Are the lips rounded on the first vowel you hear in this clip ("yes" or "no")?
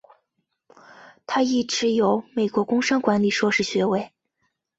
no